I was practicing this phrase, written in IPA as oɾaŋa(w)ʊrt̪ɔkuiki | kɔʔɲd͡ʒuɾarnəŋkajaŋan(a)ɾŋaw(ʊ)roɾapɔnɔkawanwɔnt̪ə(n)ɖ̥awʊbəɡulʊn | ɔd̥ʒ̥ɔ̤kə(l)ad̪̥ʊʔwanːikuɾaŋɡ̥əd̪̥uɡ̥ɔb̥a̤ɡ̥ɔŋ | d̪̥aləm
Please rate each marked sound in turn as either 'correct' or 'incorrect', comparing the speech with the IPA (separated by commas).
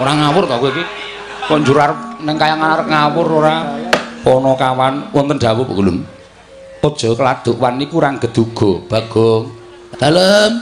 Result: correct, correct, correct, correct, correct